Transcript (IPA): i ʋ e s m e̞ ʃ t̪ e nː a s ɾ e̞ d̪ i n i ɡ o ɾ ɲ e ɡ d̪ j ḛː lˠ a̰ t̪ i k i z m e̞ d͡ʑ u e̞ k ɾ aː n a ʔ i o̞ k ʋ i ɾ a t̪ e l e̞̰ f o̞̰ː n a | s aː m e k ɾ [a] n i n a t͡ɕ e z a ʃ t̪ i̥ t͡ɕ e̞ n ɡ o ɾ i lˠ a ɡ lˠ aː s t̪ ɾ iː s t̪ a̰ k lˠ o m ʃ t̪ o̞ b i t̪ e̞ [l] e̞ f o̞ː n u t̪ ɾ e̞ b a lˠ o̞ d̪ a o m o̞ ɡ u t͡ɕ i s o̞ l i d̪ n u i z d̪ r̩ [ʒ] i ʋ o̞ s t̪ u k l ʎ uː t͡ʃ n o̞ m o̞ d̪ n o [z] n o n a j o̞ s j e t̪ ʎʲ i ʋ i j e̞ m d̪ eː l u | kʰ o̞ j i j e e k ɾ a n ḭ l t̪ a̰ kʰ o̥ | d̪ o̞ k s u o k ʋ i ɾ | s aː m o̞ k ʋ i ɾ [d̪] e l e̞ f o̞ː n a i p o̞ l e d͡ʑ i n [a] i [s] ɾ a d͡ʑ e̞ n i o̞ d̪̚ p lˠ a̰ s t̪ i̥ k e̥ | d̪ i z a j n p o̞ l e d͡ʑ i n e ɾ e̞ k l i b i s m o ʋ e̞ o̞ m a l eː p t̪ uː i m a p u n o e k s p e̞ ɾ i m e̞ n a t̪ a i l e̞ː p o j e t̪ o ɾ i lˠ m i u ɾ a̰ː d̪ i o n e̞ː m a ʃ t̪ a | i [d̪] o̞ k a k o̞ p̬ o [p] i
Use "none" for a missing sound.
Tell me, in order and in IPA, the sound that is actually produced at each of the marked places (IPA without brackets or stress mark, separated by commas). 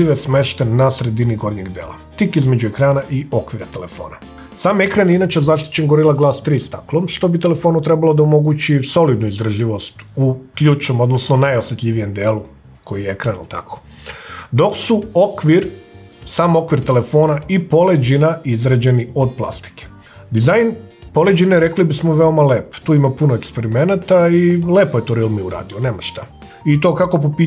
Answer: a, l, ʒ, s, t̪, a, z, t̪, p